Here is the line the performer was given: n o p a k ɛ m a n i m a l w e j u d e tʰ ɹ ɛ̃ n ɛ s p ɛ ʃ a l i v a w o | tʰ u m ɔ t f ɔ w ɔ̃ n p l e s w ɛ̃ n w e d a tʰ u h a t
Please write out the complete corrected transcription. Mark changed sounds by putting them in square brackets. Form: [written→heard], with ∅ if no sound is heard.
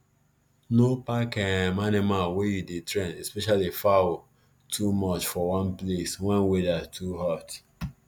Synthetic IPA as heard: n o p a k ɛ m a n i m a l w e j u d e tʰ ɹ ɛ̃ n ɛ s p ɛ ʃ a l i [v→f] a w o | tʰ u m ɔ [t→t͡ʃ] f ɔ w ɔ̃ n p l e s w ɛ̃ n w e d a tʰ u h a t

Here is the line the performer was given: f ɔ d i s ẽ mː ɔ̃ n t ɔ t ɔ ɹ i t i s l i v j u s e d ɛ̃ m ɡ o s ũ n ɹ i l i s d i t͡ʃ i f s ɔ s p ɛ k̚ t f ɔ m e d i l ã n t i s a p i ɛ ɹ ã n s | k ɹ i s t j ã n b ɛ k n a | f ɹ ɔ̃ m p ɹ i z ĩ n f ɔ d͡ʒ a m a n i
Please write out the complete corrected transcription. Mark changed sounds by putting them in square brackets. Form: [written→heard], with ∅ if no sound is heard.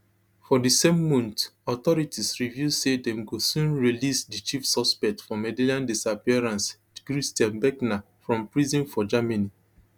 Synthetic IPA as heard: f ɔ d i s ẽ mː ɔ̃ n t ɔ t ɔ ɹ i t i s [l→ɹ] i v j u s e d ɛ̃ m ɡ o s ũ n ɹ i l i s d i t͡ʃ i f s ɔ s p ɛ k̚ t f ɔ m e d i l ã n [t→d] i s a p i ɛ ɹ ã n s | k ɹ i s t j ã n b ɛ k n a | f ɹ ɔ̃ m p ɹ i z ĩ n f ɔ d͡ʒ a m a n i

